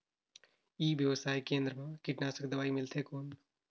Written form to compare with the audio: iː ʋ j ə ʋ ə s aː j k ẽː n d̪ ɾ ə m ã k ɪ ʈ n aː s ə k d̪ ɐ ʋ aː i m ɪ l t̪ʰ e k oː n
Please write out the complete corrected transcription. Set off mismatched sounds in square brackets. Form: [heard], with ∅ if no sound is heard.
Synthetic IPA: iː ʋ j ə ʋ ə s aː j k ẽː n d̪ ɾ ə m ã k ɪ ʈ n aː s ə k d̪ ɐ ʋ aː i m ɪ l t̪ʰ e k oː n